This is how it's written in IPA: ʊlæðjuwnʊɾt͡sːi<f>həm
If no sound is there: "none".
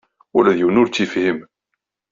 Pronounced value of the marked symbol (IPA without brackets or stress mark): f